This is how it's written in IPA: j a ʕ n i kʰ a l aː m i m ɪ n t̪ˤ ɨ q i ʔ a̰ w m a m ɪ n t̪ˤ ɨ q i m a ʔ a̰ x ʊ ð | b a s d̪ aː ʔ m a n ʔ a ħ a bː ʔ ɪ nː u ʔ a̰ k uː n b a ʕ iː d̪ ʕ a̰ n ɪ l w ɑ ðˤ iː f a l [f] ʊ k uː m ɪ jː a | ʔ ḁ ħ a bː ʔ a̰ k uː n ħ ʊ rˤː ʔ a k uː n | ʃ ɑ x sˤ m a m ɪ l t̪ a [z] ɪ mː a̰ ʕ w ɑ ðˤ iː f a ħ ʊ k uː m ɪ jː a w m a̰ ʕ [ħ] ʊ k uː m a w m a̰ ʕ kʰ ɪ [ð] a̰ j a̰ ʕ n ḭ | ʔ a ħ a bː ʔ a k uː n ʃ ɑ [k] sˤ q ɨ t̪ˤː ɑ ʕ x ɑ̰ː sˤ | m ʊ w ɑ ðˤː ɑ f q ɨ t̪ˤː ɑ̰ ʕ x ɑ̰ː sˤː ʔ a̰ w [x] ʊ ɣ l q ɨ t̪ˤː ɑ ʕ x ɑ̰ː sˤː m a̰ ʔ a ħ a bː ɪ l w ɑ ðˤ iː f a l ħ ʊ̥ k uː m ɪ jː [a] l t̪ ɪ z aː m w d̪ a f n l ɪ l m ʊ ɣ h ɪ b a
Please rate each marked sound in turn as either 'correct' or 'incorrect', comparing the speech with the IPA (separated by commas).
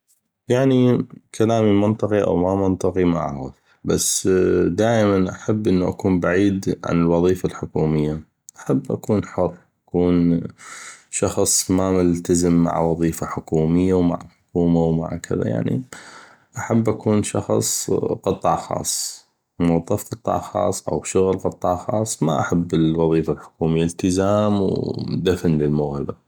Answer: incorrect, correct, correct, correct, incorrect, incorrect, correct